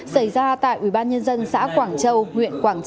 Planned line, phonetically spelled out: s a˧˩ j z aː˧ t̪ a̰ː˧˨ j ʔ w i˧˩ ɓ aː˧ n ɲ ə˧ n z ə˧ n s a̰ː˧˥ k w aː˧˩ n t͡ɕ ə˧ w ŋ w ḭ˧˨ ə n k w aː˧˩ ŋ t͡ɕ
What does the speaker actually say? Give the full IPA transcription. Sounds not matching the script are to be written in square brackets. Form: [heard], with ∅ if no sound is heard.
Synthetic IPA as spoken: s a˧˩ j z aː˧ t̪ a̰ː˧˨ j ʔ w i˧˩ ɓ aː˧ n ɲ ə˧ n z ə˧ n s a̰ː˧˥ k w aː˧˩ [ŋ] t͡ɕ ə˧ w ŋ w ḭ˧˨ ə n k w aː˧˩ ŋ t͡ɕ